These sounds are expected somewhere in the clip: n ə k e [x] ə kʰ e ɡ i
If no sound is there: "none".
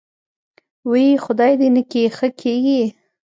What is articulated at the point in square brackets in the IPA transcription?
x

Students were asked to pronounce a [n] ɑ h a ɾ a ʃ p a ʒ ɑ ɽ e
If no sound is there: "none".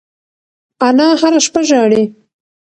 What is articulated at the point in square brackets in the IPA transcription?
n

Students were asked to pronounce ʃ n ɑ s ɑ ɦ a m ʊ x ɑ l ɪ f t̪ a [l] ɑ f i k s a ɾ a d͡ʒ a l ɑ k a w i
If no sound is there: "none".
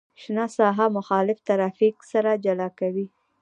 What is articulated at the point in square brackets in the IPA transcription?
ɾ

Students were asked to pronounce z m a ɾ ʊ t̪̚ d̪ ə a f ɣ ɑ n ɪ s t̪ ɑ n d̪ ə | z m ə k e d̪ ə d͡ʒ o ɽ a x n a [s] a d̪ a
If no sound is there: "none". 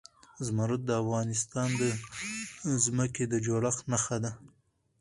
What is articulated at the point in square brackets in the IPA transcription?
x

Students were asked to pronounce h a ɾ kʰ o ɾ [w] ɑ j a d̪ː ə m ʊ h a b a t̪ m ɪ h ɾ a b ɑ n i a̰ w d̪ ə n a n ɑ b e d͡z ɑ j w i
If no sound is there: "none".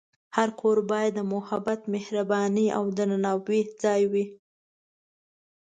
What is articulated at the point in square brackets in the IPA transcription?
b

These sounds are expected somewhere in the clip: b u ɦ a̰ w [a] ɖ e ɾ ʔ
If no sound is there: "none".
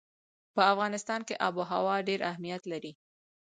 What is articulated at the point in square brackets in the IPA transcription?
ɑ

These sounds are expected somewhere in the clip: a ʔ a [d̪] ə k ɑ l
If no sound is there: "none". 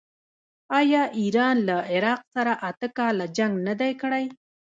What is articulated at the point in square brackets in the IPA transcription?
t̪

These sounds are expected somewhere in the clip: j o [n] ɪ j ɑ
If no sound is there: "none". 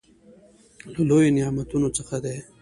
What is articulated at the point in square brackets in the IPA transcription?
n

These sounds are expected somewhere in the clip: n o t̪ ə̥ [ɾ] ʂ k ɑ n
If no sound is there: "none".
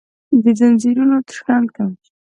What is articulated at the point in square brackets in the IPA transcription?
none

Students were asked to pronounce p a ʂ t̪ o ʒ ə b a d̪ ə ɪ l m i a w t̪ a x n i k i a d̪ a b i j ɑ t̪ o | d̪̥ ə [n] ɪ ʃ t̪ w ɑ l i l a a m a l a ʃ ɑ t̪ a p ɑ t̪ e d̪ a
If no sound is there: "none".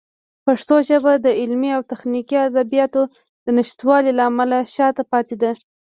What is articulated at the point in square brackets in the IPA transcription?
n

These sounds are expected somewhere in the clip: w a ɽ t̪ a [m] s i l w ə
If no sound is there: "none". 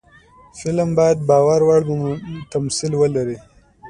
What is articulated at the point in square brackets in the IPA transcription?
m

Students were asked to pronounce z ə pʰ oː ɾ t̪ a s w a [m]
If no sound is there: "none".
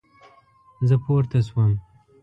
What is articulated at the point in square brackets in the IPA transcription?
m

